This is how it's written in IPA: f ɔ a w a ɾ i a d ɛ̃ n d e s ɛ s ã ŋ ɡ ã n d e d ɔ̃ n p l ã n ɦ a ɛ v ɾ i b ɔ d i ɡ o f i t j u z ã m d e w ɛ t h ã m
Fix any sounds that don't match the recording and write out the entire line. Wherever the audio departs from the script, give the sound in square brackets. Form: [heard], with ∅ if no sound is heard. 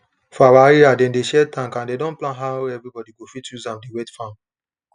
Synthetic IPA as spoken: f ɔ a w a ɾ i a d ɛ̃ n d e [ʃ] ɛ [t] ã ŋ [k] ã n d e d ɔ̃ n p l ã n ɦ a ɛ v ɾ i b ɔ d i ɡ o f i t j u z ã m d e w ɛ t [f] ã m